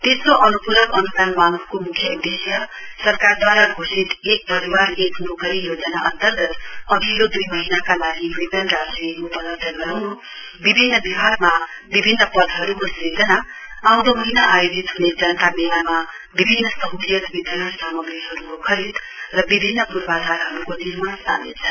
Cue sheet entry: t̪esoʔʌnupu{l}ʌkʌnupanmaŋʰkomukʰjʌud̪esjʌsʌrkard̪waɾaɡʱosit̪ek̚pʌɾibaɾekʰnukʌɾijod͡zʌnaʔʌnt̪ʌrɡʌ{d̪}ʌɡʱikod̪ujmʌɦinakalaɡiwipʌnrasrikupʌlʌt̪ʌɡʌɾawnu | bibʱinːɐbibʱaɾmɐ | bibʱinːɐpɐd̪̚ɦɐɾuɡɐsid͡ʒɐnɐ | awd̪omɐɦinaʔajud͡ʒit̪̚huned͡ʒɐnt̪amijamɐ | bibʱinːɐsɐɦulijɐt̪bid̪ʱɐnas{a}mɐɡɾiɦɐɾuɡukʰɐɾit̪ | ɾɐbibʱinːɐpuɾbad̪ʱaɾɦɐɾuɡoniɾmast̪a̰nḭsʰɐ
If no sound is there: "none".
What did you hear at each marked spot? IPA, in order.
ɾ, t̪, a

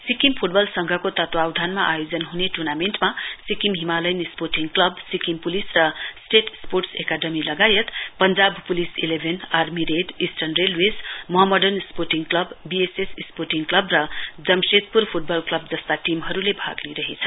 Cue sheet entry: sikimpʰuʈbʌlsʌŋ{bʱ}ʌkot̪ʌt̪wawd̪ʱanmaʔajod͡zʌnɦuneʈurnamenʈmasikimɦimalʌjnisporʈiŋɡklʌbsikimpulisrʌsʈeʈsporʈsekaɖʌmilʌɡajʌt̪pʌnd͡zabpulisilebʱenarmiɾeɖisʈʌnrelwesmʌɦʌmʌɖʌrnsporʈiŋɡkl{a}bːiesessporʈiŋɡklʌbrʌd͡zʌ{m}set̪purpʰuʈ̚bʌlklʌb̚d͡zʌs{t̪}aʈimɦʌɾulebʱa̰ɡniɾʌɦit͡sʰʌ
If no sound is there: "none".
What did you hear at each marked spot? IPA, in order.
ɡʱ, ʌ, m, t̪

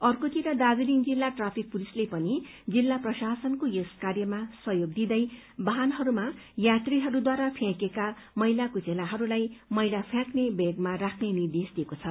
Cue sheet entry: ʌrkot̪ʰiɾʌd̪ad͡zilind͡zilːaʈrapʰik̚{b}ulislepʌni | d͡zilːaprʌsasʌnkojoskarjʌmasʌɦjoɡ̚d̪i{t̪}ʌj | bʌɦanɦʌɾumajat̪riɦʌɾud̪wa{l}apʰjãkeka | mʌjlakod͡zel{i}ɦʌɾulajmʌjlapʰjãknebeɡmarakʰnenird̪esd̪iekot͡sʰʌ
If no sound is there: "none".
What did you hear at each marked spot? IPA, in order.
p, d̪, ɾ, a

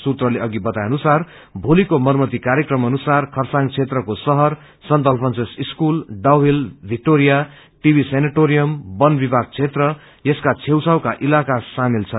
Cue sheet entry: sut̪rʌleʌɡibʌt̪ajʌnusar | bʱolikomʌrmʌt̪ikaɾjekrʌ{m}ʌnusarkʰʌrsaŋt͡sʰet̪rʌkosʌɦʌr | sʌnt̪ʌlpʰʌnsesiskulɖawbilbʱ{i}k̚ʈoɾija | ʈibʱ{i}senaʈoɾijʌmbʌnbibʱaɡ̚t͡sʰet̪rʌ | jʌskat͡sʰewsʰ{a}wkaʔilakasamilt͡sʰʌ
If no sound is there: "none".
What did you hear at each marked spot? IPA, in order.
m, i, i, a

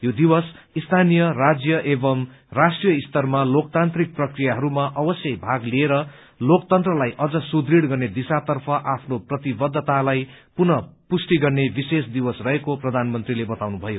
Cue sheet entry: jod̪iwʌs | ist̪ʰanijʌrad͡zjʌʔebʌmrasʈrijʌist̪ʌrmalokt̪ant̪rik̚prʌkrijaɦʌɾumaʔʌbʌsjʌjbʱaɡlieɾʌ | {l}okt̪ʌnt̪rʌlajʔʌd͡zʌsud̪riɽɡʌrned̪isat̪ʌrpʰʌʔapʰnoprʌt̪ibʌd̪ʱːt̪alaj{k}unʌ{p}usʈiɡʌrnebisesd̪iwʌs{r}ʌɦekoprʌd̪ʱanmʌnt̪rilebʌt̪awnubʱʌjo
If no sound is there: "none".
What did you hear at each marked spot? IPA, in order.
l, p, p, r

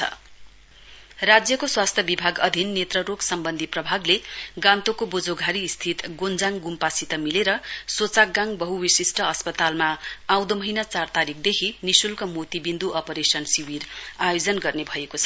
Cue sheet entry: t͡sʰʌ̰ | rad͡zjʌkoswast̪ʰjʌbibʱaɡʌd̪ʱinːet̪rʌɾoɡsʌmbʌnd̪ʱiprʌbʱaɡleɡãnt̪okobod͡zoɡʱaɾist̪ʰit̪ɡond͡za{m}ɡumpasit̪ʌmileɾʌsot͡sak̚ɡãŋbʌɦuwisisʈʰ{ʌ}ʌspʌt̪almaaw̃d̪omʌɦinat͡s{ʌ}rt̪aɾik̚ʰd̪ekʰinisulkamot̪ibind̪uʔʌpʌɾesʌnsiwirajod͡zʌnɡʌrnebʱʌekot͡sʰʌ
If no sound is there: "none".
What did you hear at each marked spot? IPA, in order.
ŋ, ʌ, a

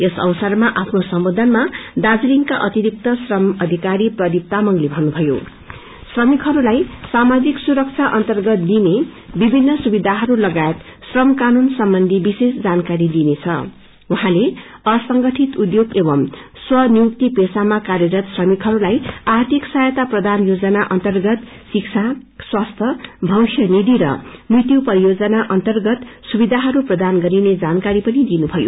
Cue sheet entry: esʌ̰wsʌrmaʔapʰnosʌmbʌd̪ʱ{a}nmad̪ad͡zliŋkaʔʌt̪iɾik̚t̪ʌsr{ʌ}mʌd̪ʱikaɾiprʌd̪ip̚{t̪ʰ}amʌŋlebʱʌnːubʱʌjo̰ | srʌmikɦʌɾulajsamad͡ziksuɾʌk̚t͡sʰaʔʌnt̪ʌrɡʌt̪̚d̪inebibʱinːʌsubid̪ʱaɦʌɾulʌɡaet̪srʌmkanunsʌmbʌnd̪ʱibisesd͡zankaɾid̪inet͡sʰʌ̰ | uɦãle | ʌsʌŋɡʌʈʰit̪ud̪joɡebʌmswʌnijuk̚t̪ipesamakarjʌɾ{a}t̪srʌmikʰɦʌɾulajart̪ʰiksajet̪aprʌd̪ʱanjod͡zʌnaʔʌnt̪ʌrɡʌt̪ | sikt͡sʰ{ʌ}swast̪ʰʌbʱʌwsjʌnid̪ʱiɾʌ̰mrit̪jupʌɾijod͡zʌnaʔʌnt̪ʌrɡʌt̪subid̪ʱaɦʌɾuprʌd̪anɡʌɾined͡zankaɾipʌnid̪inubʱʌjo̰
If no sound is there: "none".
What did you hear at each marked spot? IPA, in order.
ʌ, ʌ, t̪, ʌ, a

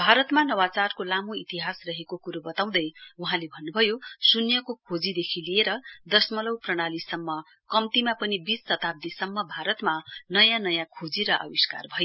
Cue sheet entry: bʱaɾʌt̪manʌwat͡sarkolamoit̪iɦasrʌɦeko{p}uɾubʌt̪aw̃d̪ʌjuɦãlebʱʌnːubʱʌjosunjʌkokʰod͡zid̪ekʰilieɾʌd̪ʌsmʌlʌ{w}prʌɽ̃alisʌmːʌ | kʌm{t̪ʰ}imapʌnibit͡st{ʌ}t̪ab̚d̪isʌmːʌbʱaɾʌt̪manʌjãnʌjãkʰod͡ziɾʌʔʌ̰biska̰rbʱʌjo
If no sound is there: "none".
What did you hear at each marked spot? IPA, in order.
k, w, t̪, ʌ

